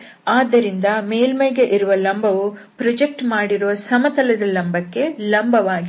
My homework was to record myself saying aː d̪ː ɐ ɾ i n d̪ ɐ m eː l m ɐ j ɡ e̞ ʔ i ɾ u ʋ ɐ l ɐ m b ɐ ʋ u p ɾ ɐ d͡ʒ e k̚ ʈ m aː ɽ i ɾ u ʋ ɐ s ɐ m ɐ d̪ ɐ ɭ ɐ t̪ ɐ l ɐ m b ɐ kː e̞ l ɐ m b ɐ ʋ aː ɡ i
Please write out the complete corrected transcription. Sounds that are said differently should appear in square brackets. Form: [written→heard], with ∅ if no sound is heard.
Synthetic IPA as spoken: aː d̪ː ɐ ɾ i n d̪ ɐ m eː l m ɐ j ɡ e̞ ʔ i ɾ u ʋ ɐ l ɐ m b ɐ ʋ u p ɾ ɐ d͡ʒ e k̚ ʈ m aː ɽ i ɾ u ʋ ɐ s ɐ m ɐ [d̪→t̪] ɐ [ɭ→l] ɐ [t̪→d̪] ɐ l ɐ m b ɐ kː e̞ l ɐ m b ɐ ʋ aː ɡ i